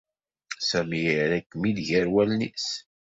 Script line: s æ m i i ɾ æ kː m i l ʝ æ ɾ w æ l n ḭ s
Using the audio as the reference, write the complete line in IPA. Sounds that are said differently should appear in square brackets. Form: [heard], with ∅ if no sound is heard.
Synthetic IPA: s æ m i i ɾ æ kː m i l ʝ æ ɾ w æ l n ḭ s